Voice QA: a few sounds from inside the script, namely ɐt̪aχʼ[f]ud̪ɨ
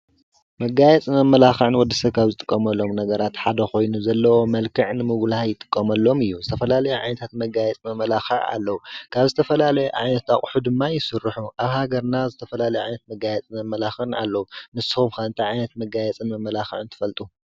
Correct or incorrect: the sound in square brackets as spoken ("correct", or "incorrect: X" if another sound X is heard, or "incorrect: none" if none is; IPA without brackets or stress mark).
incorrect: ħ